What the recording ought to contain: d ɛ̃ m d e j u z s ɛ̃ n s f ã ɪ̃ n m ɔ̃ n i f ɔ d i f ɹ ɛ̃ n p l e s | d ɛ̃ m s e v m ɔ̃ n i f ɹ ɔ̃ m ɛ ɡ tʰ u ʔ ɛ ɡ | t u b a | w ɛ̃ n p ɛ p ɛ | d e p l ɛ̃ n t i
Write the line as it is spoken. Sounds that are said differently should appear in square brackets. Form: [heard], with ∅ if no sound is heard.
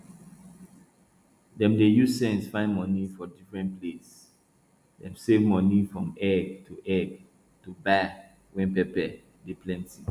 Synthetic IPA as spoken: d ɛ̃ m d e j u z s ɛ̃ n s f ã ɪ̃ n m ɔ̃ n i f ɔ d i f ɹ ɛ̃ n p l e s | d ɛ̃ m s e v m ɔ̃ n i f ɹ ɔ̃ m ɛ ɡ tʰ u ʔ ɛ ɡ | t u b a | w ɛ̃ n p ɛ p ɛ | d e p l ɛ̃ n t i

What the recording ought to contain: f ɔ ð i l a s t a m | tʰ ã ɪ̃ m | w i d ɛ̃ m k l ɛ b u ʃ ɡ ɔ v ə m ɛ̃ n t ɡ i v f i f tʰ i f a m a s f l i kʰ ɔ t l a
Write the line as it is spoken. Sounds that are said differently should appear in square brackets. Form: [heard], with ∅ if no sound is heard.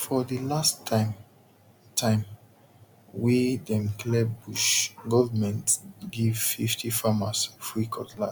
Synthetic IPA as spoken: f ɔ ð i l a s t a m | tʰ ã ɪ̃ m | w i d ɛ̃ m k l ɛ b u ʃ ɡ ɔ v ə m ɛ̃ n t ɡ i v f i f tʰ i f a m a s f [ɹ] i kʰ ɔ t l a

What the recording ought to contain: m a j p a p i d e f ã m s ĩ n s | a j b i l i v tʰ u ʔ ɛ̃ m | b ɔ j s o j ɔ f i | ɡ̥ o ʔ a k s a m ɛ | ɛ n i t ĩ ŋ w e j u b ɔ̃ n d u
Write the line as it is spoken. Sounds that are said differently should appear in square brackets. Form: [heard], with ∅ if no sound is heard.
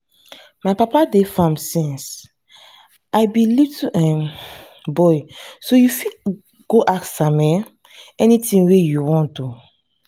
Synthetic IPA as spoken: m a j p a p [a] d e f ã m s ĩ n s | a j b i l i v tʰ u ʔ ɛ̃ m | b ɔ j s o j [u] f i | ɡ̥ o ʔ a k s a m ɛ | ɛ n i t ĩ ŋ w e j u [w] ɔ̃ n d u

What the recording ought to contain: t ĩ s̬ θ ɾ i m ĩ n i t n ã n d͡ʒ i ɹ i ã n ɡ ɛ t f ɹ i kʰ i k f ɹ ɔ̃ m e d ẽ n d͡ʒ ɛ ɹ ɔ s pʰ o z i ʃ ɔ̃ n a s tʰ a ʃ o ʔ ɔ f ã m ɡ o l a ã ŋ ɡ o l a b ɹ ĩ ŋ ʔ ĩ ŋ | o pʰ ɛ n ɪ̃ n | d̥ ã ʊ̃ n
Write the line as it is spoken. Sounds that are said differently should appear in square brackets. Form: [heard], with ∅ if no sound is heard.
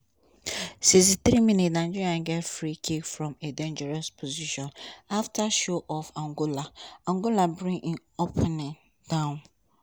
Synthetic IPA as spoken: [s] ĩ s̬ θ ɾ i m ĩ n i t n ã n d͡ʒ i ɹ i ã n ɡ ɛ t f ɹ i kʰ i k f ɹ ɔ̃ m e d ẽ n d͡ʒ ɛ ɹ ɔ s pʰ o z i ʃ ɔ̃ n a [f] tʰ a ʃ o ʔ ɔ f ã [ŋ] ɡ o l a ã ŋ ɡ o l a b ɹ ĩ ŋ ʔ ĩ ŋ | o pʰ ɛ n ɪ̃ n | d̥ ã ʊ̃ n

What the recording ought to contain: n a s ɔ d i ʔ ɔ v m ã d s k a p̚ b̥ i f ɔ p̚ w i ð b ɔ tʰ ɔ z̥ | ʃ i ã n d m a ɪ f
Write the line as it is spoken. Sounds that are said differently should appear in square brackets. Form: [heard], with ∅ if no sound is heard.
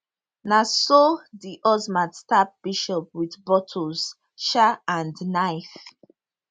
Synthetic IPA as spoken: n a s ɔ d i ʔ ɔ [z] m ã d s [t] a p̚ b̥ i [ʃ] ɔ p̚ w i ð b ɔ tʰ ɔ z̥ | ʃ [a] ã n d [n] a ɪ f

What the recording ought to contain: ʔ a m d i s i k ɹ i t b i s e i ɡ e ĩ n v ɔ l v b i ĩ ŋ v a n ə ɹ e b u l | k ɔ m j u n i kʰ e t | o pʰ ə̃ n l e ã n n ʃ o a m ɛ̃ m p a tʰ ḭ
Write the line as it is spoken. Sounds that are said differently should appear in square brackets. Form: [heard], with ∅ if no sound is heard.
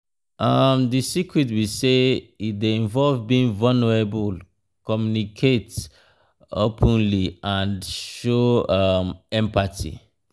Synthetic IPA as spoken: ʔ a m d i s i k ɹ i t [w] i s e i [d] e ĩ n v ɔ l v b i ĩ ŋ v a n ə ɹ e b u l | k ɔ m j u n i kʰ e t | o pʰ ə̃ n l [i] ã n [d] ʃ o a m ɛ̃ m p a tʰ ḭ

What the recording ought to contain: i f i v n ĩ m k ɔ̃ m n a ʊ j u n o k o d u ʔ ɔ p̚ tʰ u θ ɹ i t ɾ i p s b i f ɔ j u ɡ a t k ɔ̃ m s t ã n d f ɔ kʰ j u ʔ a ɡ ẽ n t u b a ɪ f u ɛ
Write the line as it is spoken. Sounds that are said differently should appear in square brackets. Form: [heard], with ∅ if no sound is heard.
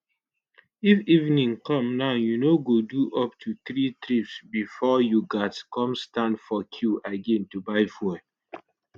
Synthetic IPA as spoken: i f i v n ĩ [ŋ] k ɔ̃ m n a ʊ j u n o [ɡ] o d u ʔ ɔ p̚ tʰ u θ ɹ i t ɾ i p s b i f ɔ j u ɡ a t k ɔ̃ m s t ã n d f ɔ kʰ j u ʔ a ɡ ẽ n t u b a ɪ f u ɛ

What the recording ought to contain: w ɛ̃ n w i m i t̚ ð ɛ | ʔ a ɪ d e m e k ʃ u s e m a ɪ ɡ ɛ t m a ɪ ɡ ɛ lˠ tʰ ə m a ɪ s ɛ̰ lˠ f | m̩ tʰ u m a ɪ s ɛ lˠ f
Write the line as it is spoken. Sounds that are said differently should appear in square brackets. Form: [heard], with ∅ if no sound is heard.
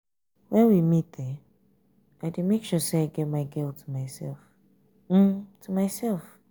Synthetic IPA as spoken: w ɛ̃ n w i m i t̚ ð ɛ | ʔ a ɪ d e m e k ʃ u s e [∅] a ɪ ɡ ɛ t m a ɪ ɡ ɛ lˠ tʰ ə m a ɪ s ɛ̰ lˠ f | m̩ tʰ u m a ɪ s ɛ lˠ f

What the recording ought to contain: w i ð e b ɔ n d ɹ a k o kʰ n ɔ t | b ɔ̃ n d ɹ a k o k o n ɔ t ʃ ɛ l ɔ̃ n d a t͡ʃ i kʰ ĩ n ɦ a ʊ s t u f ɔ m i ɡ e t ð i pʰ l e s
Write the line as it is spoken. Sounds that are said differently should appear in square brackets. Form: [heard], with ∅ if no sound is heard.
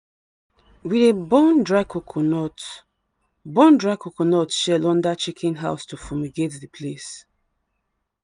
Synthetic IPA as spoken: w i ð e b ɔ n d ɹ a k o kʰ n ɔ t | b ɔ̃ n d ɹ a k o k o n ɔ t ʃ ɛ l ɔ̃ n d a t͡ʃ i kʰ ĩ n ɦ a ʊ s t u f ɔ m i ɡ e t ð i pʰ l e s

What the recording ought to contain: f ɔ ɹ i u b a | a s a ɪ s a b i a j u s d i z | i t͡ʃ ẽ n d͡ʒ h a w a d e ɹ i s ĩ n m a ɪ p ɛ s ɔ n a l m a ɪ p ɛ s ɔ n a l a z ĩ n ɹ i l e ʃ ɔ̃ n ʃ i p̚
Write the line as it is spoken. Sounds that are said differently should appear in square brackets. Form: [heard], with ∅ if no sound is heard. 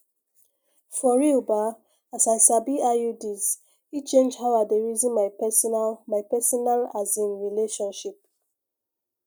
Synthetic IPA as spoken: f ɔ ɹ i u b a | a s a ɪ s a b i a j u [∅] d i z | i t͡ʃ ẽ n d͡ʒ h a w a d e ɹ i [z] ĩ n m a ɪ p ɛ s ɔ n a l m a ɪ p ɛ s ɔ n a l a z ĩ n ɹ i l e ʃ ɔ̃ n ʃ i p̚

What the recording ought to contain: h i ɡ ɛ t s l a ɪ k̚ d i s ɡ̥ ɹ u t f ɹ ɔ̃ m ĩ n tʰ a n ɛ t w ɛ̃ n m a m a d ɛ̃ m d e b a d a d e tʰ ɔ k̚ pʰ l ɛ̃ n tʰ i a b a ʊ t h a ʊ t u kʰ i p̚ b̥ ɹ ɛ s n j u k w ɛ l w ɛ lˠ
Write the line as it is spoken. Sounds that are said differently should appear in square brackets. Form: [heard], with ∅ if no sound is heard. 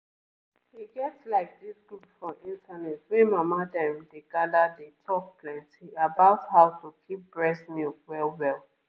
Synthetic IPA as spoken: h i ɡ ɛ t s l a ɪ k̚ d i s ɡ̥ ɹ u [p] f ɹ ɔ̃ m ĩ n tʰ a n ɛ t w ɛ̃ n m a m a d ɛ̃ m d e [ɡ] a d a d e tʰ ɔ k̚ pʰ l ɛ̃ n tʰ i a b a ʊ t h a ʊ t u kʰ i p̚ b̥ ɹ ɛ s n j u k w ɛ l w ɛ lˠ

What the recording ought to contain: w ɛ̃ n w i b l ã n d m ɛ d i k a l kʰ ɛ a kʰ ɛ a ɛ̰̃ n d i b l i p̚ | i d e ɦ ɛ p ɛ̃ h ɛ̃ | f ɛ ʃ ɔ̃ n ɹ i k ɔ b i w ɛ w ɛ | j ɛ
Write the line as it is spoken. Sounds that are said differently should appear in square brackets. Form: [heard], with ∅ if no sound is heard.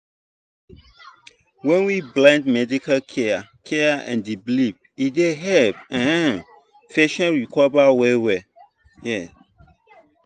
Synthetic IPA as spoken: w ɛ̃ n w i b l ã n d m ɛ d i k a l kʰ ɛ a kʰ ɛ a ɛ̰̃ n d i b l i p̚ | i d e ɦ ɛ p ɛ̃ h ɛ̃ | f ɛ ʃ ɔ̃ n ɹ i k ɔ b [a] w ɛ w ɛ | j ɛ

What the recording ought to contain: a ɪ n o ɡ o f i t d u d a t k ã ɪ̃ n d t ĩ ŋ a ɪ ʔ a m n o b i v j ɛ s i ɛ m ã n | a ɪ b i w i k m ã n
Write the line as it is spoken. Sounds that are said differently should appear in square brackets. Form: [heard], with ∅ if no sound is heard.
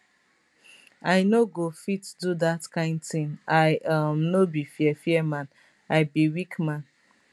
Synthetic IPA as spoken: a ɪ n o ɡ o f i t d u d a t k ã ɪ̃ n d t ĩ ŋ a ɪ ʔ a m n o b i [f] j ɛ [f] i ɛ m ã n | a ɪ b i w i k m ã n

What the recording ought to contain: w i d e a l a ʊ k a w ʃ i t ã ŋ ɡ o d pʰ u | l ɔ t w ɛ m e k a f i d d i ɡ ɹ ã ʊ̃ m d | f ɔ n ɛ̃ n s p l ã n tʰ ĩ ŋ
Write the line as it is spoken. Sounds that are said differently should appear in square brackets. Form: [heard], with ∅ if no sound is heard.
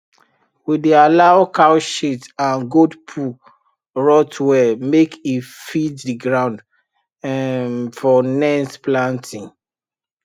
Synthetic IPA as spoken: w i d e a l a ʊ k a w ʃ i t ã [n] ɡ o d pʰ u | [ɹ] ɔ t w ɛ m e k [i] f i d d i ɡ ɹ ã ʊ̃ [n] d | f ɔ n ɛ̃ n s p l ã n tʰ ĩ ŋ

